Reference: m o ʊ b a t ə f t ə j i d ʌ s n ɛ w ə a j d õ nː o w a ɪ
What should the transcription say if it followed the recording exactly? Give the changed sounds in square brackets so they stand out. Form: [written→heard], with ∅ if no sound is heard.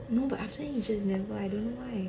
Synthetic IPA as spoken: [m→n] o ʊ b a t [ə→a] f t ə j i [d→d͡ʒ] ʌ s n ɛ [w→v] ə a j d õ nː o w a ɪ